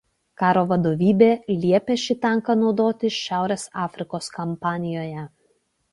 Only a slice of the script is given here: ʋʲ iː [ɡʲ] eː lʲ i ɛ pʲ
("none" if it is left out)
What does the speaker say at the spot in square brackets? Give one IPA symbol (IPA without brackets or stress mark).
bʲ